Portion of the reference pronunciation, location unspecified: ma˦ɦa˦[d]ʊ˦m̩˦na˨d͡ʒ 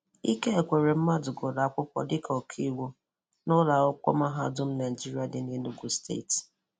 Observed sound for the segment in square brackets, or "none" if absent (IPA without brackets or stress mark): d